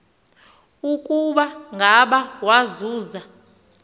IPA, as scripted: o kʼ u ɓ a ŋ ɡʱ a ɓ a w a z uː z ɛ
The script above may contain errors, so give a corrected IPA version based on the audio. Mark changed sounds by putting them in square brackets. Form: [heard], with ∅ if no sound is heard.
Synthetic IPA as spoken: [u] kʼ u ɓ a ŋ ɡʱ a ɓ a w a z uː z [a]